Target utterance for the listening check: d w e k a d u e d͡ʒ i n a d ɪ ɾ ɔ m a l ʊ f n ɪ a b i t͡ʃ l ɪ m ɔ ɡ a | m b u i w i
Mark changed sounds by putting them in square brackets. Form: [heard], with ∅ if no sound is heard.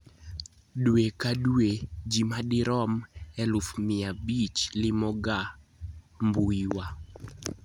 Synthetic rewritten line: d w e k a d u e d͡ʒ i [m] a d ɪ ɾ ɔ m [ɛ] l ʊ f [m] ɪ a b i t͡ʃ l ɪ m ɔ ɡ a | m b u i w [a]